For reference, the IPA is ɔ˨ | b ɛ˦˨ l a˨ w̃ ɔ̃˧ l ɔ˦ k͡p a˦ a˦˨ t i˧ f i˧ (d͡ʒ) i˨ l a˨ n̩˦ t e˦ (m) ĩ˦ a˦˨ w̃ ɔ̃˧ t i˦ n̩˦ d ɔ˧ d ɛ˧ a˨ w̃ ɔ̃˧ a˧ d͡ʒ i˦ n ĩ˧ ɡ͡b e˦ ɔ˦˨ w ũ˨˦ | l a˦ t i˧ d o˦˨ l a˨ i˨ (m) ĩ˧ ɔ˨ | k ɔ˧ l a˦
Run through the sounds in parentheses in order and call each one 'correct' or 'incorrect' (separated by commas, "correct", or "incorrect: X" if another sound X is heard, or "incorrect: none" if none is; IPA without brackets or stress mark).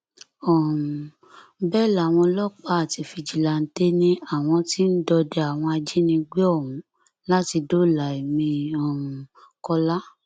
correct, incorrect: n, correct